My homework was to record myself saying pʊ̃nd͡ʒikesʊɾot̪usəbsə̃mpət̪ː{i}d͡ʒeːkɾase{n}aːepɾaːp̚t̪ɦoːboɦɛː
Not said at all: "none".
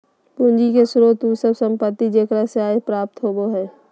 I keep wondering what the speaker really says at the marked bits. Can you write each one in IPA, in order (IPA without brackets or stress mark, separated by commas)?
i, none